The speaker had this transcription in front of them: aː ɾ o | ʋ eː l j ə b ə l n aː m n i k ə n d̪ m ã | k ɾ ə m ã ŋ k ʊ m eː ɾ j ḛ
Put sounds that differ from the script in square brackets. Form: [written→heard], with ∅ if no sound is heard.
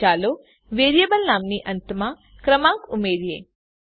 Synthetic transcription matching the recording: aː [ɾ→l] o | ʋ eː [l→ɾ] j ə b ə l n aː m n i [k→ʔ] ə n [d̪→t̪] m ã | k ɾ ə m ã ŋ k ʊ m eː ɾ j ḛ